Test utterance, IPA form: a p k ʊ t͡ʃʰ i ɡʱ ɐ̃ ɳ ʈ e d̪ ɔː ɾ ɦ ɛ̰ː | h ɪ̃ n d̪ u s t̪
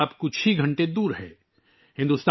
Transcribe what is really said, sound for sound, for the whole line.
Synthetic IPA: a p k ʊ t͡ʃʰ i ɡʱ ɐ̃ ɳ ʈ e d̪ uː ɾ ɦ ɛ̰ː | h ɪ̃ n d̪ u s t̪